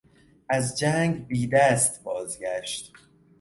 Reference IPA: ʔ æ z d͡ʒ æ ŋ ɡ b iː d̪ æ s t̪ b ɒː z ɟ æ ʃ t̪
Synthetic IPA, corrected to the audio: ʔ æ z d͡ʒ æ ŋ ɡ b iː d̪ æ s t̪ b ɒː z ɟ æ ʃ t̪